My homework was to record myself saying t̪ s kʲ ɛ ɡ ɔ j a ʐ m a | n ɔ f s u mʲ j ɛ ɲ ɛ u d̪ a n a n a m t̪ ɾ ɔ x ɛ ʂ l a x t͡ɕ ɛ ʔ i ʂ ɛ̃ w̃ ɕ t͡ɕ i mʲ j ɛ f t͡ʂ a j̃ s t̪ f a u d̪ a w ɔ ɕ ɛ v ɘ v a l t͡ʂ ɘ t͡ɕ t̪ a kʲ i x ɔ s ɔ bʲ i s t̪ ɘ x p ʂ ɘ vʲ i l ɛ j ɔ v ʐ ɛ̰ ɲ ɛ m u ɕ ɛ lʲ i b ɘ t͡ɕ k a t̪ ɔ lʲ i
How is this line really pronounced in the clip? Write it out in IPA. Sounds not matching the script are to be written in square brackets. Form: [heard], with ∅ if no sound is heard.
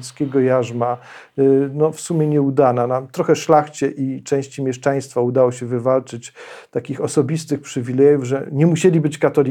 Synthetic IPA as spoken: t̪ s kʲ ɛ ɡ ɔ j a ʐ m a | n ɔ f s u mʲ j ɛ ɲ ɛ u d̪ a n a n a m t̪ ɾ ɔ x ɛ ʂ l a x t͡ɕ ɛ ʔ i [t͡ʂ] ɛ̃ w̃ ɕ t͡ɕ i mʲ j ɛ [ʂ] t͡ʂ a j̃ s t̪ f a u d̪ a w ɔ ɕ ɛ v ɘ v a l t͡ʂ ɘ t͡ɕ t̪ a kʲ i x ɔ s ɔ bʲ i s t̪ ɘ x p ʂ ɘ vʲ i l ɛ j [u] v ʐ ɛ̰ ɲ ɛ m u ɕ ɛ lʲ i b ɘ t͡ɕ k a t̪ ɔ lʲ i